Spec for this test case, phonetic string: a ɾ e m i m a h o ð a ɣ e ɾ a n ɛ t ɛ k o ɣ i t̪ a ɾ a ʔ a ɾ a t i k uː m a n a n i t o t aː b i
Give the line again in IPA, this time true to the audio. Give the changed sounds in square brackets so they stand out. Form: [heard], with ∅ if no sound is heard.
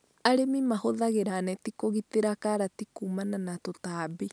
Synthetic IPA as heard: a ɾ e m i m a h o ð a ɣ e ɾ a n ɛ t [i] k o ɣ i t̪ [e] ɾ a [k] a ɾ a t i k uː m a n a n [a] t o t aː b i